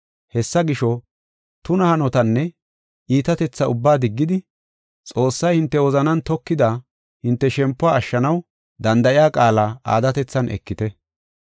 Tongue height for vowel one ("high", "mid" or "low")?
mid